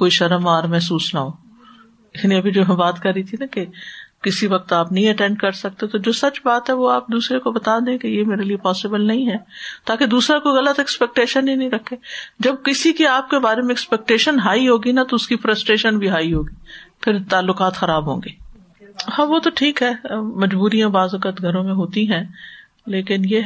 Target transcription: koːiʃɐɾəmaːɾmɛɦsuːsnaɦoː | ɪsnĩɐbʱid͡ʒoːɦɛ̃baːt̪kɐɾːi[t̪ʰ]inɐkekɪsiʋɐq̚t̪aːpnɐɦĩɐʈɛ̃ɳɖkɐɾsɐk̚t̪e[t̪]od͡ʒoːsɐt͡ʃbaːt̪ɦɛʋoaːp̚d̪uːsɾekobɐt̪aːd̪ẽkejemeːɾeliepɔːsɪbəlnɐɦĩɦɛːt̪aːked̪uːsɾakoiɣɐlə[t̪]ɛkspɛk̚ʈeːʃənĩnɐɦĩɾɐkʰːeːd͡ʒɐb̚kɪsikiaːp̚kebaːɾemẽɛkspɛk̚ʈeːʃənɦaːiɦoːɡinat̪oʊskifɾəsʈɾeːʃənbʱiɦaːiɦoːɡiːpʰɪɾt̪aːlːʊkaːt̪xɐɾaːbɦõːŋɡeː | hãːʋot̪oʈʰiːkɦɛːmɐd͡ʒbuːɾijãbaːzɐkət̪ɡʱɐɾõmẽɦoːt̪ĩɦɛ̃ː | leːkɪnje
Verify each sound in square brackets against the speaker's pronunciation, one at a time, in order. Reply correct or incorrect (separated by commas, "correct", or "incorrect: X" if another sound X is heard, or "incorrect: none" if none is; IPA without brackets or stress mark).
correct, correct, correct